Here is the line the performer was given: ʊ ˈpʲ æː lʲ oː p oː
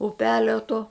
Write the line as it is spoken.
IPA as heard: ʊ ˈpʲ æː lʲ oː t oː